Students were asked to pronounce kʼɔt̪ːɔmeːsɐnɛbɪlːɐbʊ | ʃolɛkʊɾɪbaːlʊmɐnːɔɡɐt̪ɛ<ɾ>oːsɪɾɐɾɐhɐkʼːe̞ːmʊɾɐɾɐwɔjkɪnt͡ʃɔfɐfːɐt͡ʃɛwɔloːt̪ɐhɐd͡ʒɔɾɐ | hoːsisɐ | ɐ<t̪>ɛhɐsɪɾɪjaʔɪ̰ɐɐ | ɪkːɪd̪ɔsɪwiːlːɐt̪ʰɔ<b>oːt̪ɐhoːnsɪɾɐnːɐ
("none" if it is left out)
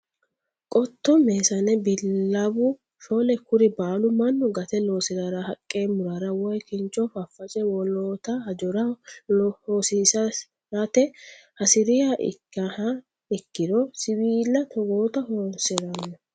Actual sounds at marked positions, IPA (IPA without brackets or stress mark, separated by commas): l, t̪, ɡ